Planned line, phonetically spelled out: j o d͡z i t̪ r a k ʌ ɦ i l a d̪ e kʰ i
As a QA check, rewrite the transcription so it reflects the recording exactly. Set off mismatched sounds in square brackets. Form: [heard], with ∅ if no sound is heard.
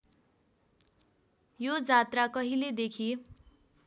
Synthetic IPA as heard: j o d͡z [a] t̪ r a k ʌ ɦ i l [e] d̪ e kʰ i

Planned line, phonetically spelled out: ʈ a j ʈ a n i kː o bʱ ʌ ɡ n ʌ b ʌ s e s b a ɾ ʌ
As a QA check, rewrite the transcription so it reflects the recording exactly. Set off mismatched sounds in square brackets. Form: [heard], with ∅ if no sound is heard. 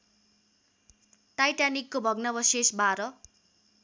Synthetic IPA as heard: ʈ a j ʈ a n i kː o bʱ ʌ ɡ n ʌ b ʌ s e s b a ɾ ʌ

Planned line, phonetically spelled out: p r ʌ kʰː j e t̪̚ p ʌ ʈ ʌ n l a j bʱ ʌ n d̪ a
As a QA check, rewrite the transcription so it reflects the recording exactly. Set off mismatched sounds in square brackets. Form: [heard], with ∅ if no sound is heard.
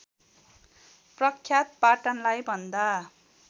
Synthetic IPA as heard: p r ʌ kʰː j [a] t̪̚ p [a] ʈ ʌ n l a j bʱ ʌ n d̪ a

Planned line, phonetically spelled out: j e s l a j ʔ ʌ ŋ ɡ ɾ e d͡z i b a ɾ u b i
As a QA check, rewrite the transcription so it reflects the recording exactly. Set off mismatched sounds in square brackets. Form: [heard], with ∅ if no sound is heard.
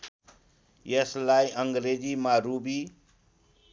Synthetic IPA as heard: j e s l a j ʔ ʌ ŋ ɡ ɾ e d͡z i [m] a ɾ u b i

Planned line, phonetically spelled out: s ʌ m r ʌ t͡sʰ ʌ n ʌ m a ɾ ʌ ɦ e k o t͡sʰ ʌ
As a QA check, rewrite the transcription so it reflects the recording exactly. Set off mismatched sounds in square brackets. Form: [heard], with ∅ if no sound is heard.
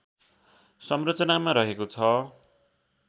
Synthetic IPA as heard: s ʌ m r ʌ [t͡s] ʌ n [a] m a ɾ ʌ ɦ e k o t͡sʰ ʌ

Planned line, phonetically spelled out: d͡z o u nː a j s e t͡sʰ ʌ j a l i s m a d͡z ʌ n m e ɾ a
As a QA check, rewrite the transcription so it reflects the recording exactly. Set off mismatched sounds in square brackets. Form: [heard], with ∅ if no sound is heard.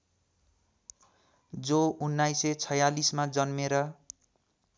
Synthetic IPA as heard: d͡z o u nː a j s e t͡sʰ ʌ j a l i s m a d͡z ʌ n m e ɾ [ʌ]

